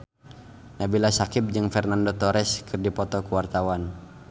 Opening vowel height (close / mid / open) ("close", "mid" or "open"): open